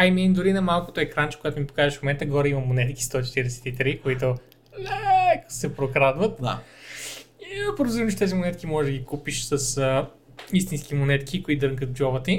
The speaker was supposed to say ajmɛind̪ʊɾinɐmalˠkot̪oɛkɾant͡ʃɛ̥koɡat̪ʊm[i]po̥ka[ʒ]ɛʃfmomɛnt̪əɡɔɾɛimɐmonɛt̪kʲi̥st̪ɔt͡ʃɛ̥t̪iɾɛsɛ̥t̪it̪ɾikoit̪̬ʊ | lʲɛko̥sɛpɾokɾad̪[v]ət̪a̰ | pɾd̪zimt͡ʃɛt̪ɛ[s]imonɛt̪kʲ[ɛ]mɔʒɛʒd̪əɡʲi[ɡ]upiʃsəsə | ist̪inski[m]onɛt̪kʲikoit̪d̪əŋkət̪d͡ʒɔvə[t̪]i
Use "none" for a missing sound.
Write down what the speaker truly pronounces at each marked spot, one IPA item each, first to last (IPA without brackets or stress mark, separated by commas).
i, z, v, z, i, k, m, t̪